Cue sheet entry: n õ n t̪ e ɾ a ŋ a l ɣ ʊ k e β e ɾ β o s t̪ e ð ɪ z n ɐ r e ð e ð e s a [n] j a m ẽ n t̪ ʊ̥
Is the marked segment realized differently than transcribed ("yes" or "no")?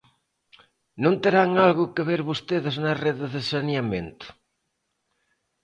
no